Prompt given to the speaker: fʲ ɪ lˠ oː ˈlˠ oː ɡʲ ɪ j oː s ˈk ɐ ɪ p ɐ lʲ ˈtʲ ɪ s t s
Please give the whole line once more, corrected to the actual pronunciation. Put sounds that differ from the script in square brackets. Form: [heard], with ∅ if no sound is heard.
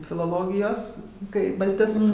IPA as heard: fʲ ɪ lˠ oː ˈlˠ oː ɡʲ ɪ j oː s ˈk ɐ ɪ [b] ɐ lʲ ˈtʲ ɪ s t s